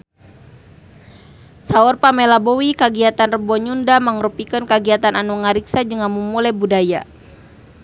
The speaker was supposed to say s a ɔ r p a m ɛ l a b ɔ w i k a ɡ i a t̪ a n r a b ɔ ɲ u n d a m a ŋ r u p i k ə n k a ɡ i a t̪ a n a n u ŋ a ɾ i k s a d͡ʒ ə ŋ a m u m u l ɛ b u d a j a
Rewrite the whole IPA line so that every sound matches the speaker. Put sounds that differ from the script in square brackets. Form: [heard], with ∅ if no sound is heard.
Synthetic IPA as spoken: s a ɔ r p a m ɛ l a b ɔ w i k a ɡ i a t̪ a n r [ə] b ɔ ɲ u n d a m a ŋ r u p i k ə n k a ɡ i a t̪ a n a n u ŋ a ɾ i k s a d͡ʒ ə ŋ a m u m u l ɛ b u d a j a

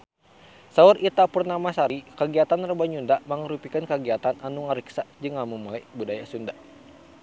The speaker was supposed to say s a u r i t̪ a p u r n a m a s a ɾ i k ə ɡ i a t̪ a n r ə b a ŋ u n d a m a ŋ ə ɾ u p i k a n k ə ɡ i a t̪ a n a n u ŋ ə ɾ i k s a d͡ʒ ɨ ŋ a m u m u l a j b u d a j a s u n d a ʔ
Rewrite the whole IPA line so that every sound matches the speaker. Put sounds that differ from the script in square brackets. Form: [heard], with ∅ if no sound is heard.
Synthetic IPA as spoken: s a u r i t̪ a p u r n a m a s a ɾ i k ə ɡ i a t̪ a n r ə b a [ɲ] u n d a m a ŋ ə ɾ u p i k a n k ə ɡ i a t̪ a n a n u ŋ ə ɾ i k s a d͡ʒ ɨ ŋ a m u m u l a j b u d a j a s u n d a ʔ

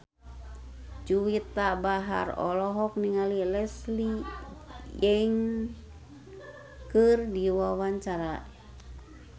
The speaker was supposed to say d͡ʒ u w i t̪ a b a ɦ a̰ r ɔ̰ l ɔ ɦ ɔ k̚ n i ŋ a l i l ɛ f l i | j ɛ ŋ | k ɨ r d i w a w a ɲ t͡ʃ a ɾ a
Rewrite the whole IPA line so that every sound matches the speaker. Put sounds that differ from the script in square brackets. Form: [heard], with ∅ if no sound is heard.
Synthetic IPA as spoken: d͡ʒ u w i t̪ a b a ɦ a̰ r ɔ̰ l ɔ ɦ ɔ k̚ n i ŋ a l i l ɛ [s] l i | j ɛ ŋ | k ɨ r d i w a w a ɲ t͡ʃ a ɾ a

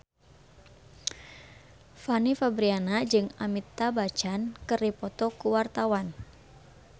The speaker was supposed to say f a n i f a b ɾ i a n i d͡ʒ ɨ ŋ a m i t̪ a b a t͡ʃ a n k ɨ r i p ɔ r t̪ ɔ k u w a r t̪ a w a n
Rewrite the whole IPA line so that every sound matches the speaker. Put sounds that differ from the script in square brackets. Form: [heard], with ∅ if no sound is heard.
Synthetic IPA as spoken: f a n i f a b ɾ i a n [a] d͡ʒ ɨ ŋ a m i t̪ a b a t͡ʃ a n k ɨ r i p ɔ [∅] t̪ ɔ k u w a r t̪ a w a n

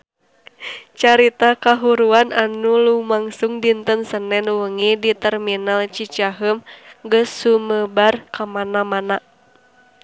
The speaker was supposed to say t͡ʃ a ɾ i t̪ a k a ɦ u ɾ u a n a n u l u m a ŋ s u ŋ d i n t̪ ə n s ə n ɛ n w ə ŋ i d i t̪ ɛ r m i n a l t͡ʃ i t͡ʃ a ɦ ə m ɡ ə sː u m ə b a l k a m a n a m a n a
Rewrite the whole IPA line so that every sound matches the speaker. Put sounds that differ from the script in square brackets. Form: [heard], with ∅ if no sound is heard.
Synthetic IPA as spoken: t͡ʃ a ɾ i t̪ a k a ɦ u ɾ u a n a n u l u m a ŋ s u ŋ d i n t̪ ə n s ə n ɛ n w ə ŋ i d i t̪ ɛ r m i n a l t͡ʃ i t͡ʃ a ɦ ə m ɡ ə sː u m ə b a [r] k a m a n a m a n a

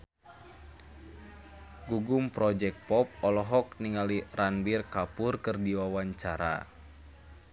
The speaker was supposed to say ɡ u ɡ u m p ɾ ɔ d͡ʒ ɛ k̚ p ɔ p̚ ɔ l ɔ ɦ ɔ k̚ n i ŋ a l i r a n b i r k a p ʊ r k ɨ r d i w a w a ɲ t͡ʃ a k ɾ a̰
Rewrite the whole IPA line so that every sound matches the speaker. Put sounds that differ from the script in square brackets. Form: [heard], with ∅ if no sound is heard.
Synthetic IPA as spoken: ɡ u ɡ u m p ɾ ɔ d͡ʒ ɛ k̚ p ɔ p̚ ɔ l ɔ ɦ ɔ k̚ n i ŋ a l i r a n b i r k a p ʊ r k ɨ r d i w a w a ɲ t͡ʃ a [∅] ɾ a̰

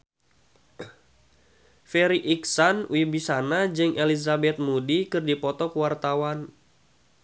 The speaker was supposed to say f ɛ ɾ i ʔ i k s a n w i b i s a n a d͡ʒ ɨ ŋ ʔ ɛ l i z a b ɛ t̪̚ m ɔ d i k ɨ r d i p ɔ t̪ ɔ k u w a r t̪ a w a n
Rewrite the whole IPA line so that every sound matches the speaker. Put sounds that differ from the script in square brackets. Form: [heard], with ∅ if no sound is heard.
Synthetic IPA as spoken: f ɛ ɾ i ʔ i k s a n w i b i s a n a d͡ʒ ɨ ŋ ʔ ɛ l i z a b ɛ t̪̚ m [u] d i k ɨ r d i p ɔ t̪ ɔ k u w a r t̪ a w a n

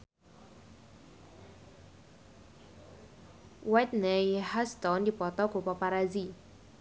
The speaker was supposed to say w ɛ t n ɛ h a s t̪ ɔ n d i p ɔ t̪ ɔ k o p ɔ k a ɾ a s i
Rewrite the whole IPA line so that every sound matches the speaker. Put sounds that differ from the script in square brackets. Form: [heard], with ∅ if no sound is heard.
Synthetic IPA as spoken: w ɛ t n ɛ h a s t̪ ɔ n d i p ɔ t̪ ɔ k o p ɔ [p] a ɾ a [z] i

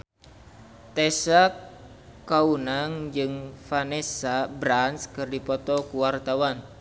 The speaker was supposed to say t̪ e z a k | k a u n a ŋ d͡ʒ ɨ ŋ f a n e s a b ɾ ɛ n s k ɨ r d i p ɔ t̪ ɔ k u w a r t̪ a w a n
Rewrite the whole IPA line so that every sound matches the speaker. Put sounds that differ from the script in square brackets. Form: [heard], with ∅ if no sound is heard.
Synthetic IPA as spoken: t̪ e [s] a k | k a u n a ŋ d͡ʒ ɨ ŋ f a n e s a b ɾ [a] n s k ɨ r d i p ɔ t̪ ɔ k u w a r t̪ a w a n

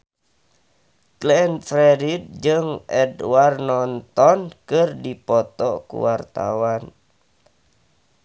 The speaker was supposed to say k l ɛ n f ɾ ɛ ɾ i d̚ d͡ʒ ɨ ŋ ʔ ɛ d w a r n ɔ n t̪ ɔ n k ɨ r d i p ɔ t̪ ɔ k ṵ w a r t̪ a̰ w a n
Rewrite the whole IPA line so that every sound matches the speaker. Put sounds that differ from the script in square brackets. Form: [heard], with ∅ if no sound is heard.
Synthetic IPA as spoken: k l ɛ n f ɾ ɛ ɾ i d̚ d͡ʒ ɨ ŋ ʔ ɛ d w a r n ɔ n t̪ ɔ n k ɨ r d i p ɔ t̪ ɔ k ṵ w a r t̪ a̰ w a n

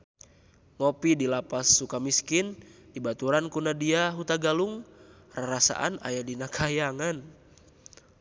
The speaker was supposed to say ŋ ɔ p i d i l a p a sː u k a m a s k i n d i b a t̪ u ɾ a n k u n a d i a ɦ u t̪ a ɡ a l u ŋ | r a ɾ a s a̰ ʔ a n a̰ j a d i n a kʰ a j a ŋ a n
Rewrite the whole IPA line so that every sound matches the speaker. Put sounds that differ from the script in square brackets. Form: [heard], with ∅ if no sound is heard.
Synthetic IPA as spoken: ŋ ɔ p i d i l a p a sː u k a m [i] s k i n d i b a t̪ u ɾ a n k u n a d i a ɦ u t̪ a ɡ a l u ŋ | r a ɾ a s a̰ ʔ a n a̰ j a d i n a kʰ a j a ŋ a n

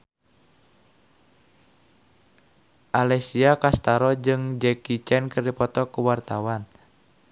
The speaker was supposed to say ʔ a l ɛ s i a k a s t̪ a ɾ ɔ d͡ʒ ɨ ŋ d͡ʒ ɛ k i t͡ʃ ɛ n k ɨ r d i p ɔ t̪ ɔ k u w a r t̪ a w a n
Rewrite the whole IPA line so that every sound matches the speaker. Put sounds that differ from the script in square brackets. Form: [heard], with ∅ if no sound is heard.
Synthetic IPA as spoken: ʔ a l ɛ s i a k a s t̪ a ɾ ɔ d͡ʒ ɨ ŋ d͡ʒ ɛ k i t͡ʃ ɛ n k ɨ r d i p ɔ t̪ ɔ k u w a r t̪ a w a n

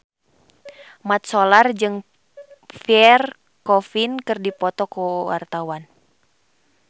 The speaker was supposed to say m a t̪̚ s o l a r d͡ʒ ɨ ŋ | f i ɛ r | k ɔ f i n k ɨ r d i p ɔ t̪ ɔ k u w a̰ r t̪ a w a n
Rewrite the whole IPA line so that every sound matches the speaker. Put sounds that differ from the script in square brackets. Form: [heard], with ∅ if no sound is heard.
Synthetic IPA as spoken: m a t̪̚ s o l a r d͡ʒ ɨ ŋ | f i ɛ r | k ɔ f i n k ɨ r d i p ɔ t̪ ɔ k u w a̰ r t̪ a w a n

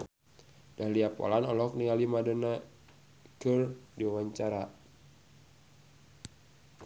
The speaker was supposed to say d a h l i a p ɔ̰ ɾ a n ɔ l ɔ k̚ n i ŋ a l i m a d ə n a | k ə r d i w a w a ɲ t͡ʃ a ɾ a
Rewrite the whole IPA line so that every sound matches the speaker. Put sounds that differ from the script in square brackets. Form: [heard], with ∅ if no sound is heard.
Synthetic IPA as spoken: d a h l i a p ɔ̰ [l] a n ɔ l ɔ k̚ n i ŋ a l i m a d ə n a | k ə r d i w a w a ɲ t͡ʃ a ɾ a

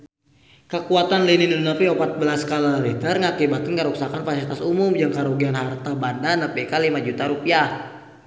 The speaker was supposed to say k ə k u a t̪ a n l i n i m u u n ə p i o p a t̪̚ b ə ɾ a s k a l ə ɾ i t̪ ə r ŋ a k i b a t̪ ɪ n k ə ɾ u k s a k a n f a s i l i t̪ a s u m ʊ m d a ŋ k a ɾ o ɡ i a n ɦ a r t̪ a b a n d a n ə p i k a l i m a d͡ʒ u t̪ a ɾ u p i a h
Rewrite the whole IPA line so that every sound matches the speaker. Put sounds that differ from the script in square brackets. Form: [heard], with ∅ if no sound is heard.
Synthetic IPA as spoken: k ə k u a t̪ a n l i n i [n] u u n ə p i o p a t̪̚ b ə [l] a s k a l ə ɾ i t̪ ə r ŋ a k i b a t̪ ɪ n k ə ɾ u k s a k a n f a s i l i t̪ a s u m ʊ m [d͡ʒ] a ŋ k a ɾ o ɡ i a n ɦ a r t̪ a b a n d a n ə p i k a l i m a d͡ʒ u t̪ a ɾ u p i a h

